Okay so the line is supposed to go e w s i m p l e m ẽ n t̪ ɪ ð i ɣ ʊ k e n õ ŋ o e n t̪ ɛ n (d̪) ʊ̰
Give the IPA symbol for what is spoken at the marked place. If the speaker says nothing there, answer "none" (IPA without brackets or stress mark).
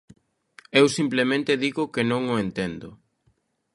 d̪